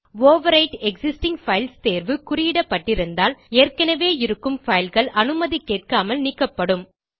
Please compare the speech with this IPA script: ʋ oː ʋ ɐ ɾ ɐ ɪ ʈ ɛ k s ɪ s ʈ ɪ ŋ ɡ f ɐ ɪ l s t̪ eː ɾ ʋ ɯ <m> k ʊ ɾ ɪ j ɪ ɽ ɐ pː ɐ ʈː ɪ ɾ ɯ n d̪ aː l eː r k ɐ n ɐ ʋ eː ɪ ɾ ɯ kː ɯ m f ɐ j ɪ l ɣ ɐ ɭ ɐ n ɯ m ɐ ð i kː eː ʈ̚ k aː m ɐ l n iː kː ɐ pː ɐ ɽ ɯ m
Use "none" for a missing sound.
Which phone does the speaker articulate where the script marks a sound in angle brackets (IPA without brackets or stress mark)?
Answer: none